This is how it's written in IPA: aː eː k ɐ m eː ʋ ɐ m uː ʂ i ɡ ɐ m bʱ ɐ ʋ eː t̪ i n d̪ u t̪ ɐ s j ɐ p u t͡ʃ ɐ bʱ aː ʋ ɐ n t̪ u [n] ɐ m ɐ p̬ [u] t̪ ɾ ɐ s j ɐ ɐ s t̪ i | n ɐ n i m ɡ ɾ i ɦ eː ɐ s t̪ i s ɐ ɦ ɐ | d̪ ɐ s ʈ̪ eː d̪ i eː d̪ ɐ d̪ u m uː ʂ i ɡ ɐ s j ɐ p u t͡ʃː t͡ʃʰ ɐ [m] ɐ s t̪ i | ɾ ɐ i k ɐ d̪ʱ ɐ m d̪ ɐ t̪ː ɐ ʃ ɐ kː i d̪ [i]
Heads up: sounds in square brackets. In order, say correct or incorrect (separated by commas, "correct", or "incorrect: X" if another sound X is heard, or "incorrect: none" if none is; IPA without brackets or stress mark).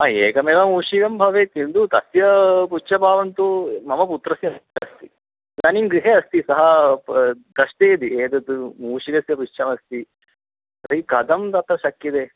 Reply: incorrect: m, correct, correct, incorrect: e